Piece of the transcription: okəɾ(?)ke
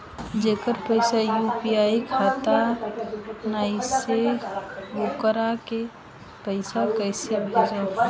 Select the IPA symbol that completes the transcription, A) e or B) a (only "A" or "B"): B